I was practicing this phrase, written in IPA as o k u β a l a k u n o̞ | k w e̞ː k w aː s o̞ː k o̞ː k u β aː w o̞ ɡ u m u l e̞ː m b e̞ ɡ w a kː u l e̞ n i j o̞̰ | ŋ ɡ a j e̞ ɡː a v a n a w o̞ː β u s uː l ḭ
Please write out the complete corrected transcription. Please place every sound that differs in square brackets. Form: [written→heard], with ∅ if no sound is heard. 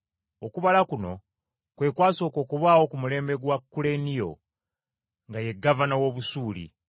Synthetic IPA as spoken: o k u β a l a k u n o̞ | k w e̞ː k w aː s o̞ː k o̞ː k u β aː w o̞ [ɡ→k] u m u l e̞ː m b e̞ ɡ w a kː u l e̞ n i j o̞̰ | ŋ ɡ a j e̞ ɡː a v a n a w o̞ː β u s uː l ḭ